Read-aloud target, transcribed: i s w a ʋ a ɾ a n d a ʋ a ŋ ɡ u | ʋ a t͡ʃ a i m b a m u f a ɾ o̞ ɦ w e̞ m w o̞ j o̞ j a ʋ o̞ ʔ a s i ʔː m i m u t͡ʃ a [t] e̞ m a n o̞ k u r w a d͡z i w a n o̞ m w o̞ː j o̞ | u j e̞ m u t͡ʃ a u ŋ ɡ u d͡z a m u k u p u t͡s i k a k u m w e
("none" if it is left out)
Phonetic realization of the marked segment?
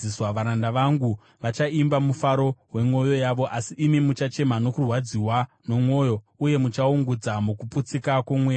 t͡ʃ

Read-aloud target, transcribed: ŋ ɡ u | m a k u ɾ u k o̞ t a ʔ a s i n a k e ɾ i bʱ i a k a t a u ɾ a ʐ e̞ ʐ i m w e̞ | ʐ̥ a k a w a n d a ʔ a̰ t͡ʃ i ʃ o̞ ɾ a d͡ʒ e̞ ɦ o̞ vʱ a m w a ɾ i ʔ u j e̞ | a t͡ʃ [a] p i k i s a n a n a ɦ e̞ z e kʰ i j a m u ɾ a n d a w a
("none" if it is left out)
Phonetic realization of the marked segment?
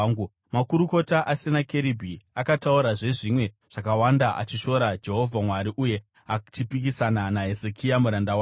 i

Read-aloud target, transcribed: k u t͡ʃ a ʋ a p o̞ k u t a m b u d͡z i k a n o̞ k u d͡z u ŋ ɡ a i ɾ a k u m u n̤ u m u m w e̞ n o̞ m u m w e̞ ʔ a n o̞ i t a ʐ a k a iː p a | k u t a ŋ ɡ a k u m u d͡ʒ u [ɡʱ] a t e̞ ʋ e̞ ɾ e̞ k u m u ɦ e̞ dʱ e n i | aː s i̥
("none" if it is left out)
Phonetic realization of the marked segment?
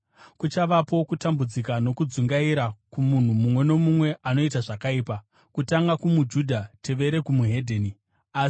dʱ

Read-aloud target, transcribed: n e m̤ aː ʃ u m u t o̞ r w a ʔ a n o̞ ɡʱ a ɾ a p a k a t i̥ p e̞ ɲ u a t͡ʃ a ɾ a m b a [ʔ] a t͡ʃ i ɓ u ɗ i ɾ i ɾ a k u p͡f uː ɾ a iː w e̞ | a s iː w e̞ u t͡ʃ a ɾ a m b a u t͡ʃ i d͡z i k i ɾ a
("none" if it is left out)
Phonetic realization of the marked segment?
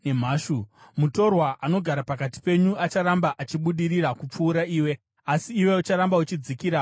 ʔ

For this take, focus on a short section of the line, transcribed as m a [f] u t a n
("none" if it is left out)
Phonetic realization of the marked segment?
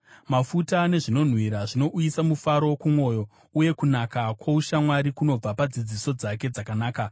f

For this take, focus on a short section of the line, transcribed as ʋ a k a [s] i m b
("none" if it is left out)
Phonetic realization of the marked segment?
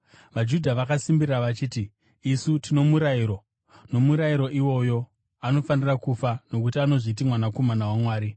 s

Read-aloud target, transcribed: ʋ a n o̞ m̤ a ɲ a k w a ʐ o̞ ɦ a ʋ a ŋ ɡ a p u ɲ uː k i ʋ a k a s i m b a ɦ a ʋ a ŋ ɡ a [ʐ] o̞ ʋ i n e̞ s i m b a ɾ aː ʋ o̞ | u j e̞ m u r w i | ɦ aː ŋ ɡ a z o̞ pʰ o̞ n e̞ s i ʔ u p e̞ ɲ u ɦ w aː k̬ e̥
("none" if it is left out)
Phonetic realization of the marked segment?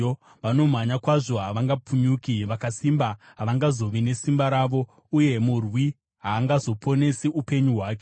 z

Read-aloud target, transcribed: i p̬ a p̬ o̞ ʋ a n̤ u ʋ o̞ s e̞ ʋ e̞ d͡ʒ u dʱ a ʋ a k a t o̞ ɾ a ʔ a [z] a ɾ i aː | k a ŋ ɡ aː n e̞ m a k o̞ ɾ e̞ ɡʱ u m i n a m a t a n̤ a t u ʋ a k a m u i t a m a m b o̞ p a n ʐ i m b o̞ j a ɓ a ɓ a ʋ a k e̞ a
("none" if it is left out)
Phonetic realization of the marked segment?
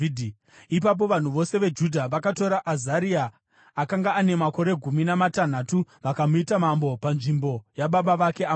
z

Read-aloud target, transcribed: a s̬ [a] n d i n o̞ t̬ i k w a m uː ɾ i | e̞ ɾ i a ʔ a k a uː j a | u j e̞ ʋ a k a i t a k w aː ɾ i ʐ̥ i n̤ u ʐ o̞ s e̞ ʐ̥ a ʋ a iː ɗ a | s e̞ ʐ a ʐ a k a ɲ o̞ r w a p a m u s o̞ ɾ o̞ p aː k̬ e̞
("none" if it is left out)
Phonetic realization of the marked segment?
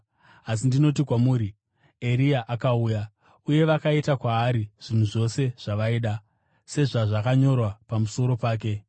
i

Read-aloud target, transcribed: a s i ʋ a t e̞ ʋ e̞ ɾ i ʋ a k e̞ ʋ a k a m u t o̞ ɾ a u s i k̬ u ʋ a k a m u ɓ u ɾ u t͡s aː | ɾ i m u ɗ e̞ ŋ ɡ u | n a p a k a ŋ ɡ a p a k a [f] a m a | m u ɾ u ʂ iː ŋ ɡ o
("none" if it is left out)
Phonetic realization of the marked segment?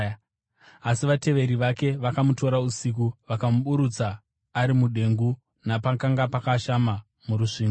ʃ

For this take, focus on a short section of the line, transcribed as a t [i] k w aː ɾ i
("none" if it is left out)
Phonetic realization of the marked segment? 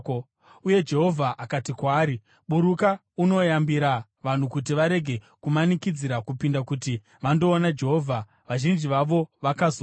i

